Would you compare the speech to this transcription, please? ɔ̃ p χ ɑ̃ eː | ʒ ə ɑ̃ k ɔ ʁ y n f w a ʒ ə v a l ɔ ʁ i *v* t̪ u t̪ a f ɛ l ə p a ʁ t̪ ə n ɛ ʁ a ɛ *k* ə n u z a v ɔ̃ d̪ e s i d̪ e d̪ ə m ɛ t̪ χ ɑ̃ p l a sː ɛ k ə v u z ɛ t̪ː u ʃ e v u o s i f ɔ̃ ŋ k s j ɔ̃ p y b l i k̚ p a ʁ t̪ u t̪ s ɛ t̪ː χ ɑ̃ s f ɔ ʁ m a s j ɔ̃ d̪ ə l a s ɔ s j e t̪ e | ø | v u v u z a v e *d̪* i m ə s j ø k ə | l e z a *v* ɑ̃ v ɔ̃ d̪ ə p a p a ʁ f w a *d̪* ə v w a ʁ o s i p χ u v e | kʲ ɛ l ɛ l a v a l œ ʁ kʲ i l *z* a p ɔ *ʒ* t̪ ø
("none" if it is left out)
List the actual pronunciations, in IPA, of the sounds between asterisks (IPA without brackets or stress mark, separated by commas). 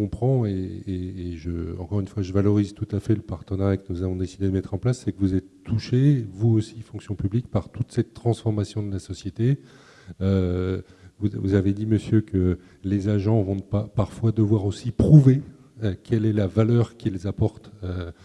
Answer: z, k, d̪, ʒ, d̪, z, ʁ